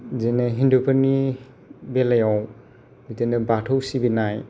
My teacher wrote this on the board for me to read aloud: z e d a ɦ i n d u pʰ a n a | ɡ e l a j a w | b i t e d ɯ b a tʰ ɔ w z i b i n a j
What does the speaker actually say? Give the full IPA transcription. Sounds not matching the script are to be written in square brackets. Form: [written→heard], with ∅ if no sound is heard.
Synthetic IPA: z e [d→n] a ɦ i n d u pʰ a n [a→i] | [ɡ→b] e l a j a w | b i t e [d→n] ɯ b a tʰ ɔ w [z→s] i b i n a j